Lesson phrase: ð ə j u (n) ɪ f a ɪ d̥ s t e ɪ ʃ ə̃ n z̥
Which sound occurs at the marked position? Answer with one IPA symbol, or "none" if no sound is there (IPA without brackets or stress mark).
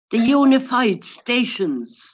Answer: n